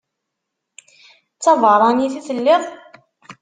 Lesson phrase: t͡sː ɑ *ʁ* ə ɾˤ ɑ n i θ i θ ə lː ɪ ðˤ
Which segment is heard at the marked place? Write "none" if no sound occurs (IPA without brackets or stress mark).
v